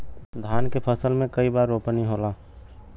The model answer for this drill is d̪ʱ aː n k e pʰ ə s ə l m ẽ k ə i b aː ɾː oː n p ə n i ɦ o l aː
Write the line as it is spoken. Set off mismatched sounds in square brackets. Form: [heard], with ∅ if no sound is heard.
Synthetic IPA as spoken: d̪ʱ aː n k e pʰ ə s ə l m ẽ k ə i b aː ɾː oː [∅] p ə n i ɦ o l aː